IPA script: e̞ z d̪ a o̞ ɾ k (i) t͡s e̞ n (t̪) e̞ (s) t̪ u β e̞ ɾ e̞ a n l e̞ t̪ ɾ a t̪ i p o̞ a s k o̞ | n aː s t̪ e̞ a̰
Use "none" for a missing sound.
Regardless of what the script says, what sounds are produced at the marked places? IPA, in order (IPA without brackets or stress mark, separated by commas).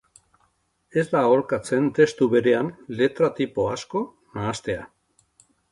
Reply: a, t̪, s